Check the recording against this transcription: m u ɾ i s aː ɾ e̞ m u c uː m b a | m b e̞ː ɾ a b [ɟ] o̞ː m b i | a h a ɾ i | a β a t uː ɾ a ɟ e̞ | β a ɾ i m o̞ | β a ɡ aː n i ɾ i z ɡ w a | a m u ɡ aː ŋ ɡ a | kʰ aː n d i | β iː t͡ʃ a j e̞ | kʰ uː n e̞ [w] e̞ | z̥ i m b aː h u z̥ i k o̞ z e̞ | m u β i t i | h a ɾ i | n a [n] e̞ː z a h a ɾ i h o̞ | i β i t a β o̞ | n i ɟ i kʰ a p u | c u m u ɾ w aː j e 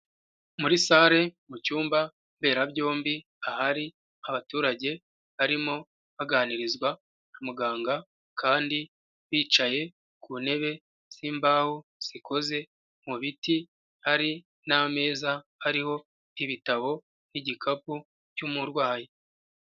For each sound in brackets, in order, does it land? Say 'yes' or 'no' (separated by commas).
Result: yes, no, no